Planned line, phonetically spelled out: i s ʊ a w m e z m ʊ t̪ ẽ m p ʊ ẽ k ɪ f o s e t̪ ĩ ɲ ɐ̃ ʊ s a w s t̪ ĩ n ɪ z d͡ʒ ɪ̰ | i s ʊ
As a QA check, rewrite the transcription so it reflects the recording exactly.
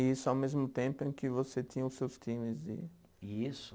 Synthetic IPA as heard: i s ʊ a w m e z m ʊ t̪ ẽ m p ʊ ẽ k ɪ v o s e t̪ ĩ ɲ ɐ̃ ʊ s e w s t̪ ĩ m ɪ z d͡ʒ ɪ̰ | i s ʊ